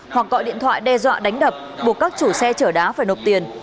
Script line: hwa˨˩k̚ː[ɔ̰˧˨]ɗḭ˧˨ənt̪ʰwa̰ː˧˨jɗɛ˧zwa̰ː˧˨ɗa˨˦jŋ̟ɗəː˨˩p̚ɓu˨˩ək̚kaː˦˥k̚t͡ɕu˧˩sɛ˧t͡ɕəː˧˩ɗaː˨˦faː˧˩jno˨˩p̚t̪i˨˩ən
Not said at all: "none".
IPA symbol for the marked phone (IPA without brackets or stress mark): ɔ̰˧˨